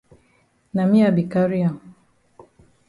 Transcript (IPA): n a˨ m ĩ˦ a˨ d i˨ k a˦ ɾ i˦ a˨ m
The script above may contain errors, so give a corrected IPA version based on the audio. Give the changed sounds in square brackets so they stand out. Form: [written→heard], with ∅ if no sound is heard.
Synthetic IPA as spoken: n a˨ m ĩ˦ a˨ [d→b] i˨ k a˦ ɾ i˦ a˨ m